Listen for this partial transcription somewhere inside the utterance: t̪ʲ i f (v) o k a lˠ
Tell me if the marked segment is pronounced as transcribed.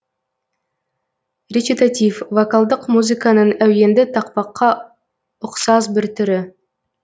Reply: yes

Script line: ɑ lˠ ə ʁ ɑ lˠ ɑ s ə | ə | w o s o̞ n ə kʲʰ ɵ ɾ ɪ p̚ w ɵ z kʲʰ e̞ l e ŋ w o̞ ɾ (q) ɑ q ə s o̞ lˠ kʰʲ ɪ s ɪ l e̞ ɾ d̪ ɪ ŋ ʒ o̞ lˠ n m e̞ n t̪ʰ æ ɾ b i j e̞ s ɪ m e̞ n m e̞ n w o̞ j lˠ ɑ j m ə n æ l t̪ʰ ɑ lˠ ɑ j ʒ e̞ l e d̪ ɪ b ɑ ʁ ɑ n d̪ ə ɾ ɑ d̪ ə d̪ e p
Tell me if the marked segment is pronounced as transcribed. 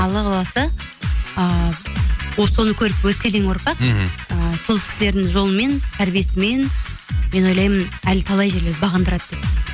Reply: no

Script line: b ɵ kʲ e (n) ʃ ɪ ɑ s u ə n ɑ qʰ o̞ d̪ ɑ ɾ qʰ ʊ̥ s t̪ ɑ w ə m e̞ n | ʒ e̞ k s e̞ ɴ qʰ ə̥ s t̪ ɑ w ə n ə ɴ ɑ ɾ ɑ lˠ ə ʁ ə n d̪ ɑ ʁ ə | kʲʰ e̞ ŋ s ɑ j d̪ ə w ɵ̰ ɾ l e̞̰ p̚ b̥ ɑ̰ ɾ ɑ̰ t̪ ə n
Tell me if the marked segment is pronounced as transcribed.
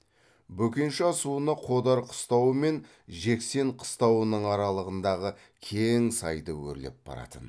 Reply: yes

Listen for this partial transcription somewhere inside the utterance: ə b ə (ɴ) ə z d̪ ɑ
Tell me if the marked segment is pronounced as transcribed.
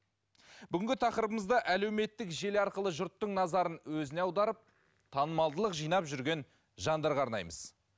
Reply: no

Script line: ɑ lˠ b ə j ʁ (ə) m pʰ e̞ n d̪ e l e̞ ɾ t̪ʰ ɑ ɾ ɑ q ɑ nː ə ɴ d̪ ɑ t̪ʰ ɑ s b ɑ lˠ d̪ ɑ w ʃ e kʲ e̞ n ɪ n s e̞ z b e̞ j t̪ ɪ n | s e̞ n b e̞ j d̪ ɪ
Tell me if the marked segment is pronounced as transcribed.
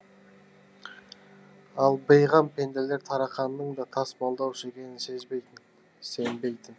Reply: no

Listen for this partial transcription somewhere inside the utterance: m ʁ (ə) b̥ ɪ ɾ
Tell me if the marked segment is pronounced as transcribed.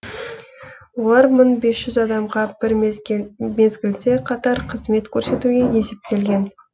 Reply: no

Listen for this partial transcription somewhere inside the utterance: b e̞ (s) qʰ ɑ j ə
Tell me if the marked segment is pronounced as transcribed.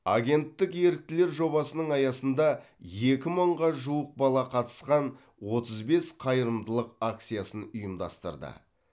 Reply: yes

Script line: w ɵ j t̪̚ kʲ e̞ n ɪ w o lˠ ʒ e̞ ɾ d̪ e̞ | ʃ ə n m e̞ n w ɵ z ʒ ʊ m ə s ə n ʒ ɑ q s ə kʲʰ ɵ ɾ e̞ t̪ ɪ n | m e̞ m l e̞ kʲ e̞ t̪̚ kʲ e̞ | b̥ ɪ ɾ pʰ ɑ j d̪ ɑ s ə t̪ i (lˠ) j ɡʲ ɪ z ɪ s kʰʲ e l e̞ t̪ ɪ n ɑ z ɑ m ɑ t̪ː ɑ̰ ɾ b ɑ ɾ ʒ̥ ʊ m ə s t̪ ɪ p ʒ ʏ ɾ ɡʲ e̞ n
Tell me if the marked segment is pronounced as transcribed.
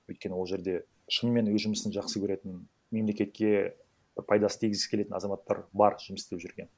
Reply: no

